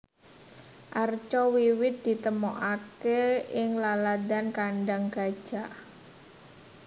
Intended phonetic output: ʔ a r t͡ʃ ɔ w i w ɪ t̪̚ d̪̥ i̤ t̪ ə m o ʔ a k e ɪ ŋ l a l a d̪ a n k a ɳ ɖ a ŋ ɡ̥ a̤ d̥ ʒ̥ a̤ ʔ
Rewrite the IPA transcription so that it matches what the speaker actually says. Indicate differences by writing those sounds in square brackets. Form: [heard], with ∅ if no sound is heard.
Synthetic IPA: ʔ a r t͡ʃ ɔ w i w ɪ t̪̚ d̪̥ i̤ t̪ ə m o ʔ a k e ɪ ŋ l a l a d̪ a n k a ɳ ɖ a ŋ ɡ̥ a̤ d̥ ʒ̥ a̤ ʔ

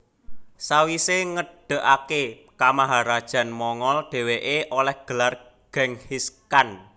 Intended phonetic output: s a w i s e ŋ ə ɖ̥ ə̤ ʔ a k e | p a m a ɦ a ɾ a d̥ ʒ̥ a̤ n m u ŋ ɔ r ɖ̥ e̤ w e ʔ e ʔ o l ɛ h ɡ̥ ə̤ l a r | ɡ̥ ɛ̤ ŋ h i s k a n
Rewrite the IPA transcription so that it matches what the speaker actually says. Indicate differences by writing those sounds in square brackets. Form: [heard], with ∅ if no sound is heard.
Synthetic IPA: s a w i s e ŋ ə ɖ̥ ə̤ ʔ a k e | [k] a m a ɦ a ɾ a d̥ ʒ̥ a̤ n m [ɔ] ŋ ɔ [l] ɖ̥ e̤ w e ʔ e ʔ o l ɛ h ɡ̥ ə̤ l a r | ɡ̥ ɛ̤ ŋ h i s k a n

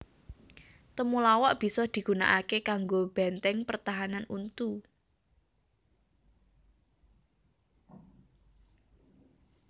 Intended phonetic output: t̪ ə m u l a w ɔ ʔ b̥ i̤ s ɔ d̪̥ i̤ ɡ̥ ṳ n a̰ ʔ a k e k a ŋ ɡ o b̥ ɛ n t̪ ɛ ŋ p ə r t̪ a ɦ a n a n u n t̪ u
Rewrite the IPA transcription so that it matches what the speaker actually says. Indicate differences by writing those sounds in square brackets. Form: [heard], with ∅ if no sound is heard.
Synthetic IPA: t̪ ə m u l a w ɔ ʔ b̥ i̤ s ɔ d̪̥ i̤ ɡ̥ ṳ n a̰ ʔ a k e k a ŋ ɡ o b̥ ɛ n t̪ ɛ ŋ p ə r t̪ a ɦ a n a n u n t̪ u

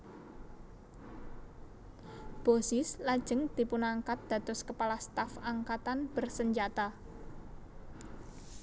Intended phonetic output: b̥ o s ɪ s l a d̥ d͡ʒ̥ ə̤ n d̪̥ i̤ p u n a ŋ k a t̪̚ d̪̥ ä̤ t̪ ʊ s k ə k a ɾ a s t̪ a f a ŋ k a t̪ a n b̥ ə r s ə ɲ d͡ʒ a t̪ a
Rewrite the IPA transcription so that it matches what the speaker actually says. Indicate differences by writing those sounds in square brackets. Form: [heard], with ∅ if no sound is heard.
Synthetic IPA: b̥ o s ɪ s l a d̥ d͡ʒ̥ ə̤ [ŋ] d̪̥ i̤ p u n a ŋ k a t̪̚ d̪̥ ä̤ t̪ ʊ s k ə [p] a [l] a s t̪ a f a ŋ k a t̪ a n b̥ ə r s ə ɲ d͡ʒ a t̪ a

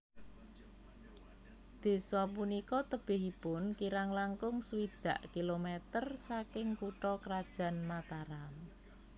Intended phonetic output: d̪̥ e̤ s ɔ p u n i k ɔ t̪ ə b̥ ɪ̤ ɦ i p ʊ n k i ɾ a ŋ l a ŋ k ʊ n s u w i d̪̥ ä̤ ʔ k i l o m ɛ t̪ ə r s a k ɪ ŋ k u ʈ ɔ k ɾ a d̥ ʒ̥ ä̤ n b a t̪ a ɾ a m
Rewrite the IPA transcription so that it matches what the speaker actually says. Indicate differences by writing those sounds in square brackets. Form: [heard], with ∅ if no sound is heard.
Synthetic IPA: d̪̥ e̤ s ɔ p u n i k ɔ t̪ ə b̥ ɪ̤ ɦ i p ʊ n k i ɾ a ŋ l a ŋ k ʊ [ŋ] s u w i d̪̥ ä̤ ʔ k i l o m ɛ t̪ ə r s a k ɪ ŋ k u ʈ ɔ k ɾ a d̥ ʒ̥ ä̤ n [m] a t̪ a ɾ a m

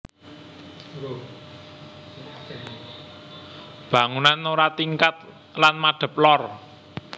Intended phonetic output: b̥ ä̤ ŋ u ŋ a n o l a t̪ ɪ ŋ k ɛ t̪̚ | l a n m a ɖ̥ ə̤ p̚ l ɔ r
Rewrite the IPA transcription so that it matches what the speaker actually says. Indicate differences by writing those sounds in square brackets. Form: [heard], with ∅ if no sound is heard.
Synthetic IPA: b̥ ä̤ ŋ u [n] a n o [ɾ] a t̪ [i] ŋ k [a] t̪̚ | l a n m a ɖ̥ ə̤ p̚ l ɔ r

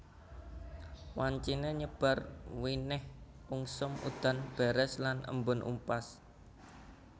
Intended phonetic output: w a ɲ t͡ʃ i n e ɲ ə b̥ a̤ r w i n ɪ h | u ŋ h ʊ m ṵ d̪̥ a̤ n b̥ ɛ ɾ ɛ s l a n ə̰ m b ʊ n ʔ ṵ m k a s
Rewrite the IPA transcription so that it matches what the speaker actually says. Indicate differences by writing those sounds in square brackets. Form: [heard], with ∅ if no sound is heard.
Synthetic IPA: w a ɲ t͡ʃ i n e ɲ ə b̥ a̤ r w i n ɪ h | u ŋ [s] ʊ m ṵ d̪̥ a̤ n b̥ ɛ ɾ ɛ s l a n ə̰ m b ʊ n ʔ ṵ m [p] a s

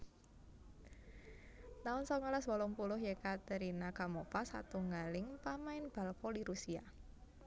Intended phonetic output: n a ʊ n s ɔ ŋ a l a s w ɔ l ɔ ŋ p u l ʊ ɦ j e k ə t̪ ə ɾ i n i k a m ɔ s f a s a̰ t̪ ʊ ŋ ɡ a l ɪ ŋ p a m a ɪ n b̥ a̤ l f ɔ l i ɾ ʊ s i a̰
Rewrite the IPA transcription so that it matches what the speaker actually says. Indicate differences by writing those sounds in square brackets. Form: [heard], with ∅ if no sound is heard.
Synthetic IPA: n a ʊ n s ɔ ŋ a l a s w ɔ l ɔ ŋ p u l ʊ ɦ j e k [a] t̪ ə ɾ i n [a] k a m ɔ [∅] f a s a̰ t̪ [u] ŋ ɡ a l ɪ ŋ p a m a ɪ n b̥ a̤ l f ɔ l i ɾ [u] s i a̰

